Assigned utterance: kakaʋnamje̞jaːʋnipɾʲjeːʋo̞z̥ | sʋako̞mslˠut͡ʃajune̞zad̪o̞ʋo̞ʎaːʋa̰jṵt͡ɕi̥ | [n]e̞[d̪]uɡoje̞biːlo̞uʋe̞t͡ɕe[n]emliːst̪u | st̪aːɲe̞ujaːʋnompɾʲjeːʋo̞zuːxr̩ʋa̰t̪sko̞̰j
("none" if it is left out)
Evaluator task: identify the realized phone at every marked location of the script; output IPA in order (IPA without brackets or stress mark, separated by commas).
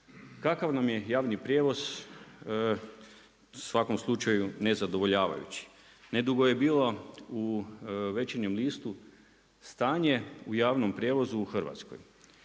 n, d̪, ɲ